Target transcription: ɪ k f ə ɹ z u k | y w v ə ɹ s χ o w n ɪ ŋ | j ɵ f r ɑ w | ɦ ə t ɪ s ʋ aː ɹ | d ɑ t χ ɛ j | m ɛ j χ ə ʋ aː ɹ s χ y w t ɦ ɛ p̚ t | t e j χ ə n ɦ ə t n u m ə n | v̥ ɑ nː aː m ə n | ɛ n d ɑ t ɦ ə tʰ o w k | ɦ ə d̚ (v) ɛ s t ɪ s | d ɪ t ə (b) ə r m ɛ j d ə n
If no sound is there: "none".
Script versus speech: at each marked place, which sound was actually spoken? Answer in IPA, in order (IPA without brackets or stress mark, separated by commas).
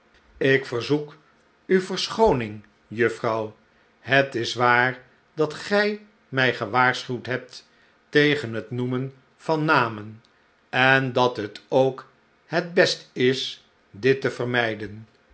b, v